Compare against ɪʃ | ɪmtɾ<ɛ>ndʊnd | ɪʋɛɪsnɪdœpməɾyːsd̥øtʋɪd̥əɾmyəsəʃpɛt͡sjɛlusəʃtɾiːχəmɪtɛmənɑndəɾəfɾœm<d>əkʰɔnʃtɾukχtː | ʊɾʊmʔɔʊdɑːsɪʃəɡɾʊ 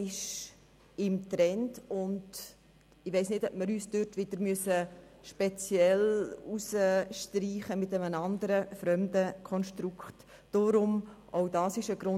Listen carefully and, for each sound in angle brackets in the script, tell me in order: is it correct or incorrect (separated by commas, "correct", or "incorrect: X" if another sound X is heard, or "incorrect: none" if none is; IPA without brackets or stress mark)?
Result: correct, correct